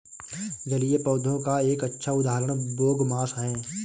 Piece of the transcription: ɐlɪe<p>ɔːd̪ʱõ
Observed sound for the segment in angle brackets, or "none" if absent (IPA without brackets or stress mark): p